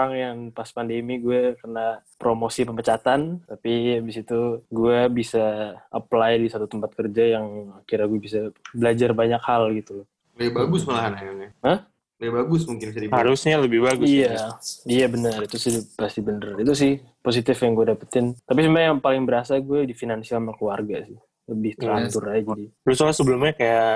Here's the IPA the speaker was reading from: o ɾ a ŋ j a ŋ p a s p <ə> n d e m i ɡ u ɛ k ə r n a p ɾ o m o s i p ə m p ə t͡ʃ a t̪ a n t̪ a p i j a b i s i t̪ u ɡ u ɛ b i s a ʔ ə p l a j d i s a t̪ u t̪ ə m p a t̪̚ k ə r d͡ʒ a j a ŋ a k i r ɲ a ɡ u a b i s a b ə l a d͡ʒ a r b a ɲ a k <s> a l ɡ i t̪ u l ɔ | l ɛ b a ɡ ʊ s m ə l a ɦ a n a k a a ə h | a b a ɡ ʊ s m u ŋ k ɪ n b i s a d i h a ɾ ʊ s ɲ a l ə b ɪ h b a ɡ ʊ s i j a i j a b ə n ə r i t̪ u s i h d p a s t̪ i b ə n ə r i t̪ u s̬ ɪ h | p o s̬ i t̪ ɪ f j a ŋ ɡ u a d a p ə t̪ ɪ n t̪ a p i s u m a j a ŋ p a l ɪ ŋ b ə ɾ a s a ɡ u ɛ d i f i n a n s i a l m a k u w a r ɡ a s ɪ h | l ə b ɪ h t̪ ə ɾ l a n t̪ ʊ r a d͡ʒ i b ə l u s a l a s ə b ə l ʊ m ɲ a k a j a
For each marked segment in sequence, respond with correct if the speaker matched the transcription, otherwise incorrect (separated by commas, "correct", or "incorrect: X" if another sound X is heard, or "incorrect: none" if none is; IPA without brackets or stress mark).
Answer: incorrect: a, incorrect: h